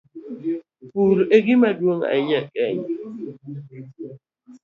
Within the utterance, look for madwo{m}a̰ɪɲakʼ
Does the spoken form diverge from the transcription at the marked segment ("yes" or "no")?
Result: yes